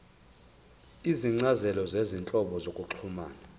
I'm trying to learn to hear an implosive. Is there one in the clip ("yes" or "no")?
yes